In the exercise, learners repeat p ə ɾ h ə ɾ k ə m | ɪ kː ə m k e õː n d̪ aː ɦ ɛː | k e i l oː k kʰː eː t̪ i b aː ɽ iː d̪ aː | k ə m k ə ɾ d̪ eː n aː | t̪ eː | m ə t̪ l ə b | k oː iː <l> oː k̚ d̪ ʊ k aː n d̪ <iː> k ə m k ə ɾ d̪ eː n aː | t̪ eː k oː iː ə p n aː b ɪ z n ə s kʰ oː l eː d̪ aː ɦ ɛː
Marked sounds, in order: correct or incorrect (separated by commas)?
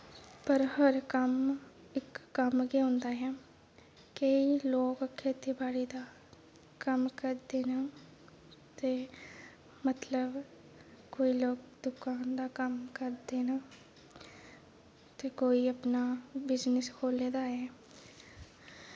correct, incorrect